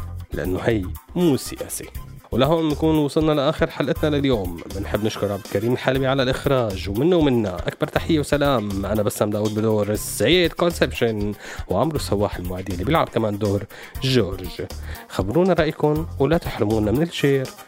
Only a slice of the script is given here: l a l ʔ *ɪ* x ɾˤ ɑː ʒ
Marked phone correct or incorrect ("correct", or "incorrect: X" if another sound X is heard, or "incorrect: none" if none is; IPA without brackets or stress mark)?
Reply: correct